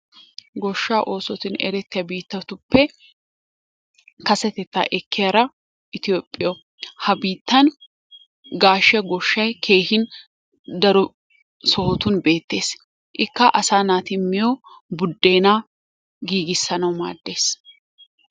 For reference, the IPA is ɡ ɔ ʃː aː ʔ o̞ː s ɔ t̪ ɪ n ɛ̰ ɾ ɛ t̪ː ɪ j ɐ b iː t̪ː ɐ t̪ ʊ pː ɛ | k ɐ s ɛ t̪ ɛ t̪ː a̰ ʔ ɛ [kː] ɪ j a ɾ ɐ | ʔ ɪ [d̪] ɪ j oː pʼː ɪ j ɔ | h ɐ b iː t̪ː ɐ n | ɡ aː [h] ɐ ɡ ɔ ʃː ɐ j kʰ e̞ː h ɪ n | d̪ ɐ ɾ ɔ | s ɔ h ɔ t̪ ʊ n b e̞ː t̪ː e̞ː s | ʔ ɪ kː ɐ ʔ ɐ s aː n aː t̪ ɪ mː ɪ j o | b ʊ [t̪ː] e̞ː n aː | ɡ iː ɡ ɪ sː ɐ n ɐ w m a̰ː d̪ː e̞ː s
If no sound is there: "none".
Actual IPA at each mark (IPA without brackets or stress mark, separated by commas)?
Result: kː, t̪, ʃ, d̪ː